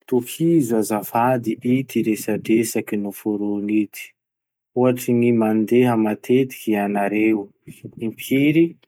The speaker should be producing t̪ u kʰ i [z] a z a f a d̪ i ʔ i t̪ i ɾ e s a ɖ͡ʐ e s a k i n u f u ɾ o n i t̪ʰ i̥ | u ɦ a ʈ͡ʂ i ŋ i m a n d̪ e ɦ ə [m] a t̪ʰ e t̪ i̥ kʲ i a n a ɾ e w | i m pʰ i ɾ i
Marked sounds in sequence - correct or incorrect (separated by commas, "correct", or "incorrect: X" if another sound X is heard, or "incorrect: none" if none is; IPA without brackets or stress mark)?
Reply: correct, correct